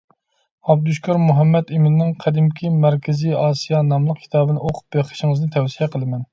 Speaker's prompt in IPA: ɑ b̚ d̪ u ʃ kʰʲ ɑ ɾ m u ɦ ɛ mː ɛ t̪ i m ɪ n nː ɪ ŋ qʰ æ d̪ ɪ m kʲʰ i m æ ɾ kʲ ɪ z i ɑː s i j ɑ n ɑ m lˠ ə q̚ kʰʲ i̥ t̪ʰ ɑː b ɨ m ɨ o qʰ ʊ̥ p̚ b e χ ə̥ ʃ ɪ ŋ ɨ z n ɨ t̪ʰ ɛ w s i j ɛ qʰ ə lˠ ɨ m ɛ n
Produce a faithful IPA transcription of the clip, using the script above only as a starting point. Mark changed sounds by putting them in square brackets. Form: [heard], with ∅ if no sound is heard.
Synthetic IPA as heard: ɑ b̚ d̪ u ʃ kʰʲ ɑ ɾ m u ɦ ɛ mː ɛ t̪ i m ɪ n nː ɪ ŋ qʰ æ d̪ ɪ m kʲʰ i m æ ɾ kʲ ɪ z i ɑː s i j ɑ n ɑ m lˠ ə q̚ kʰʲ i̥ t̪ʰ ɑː b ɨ [n] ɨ o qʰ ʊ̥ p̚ b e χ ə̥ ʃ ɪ ŋ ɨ z n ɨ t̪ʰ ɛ w s i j ɛ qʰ ə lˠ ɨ m ɛ n